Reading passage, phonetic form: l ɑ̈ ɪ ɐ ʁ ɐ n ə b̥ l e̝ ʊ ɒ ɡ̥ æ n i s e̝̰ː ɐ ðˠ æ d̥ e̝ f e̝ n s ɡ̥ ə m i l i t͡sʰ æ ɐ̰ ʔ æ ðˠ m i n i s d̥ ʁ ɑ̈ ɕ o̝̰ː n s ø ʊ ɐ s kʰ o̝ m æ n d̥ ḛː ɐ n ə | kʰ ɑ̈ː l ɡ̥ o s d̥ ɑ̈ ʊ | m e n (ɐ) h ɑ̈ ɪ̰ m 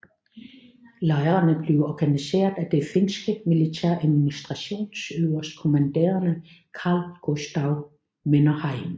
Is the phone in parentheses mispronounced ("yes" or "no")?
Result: no